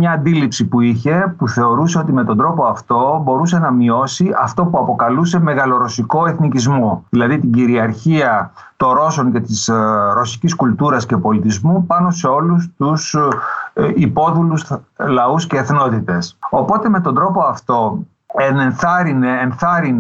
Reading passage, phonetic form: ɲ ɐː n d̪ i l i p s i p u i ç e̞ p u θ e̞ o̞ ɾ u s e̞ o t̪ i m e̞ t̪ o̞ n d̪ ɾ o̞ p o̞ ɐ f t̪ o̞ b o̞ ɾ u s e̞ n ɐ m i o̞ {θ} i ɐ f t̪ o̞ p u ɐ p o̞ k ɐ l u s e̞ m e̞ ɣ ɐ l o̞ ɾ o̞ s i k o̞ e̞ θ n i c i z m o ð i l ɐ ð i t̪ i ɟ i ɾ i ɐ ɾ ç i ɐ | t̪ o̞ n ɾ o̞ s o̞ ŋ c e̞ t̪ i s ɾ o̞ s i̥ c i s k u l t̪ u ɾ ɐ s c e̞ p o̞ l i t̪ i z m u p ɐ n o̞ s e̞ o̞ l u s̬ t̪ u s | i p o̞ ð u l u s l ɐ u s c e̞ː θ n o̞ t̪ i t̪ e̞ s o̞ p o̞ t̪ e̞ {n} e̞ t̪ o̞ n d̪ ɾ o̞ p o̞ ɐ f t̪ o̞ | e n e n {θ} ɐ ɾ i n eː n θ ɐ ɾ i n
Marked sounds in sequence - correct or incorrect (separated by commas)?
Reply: incorrect, incorrect, correct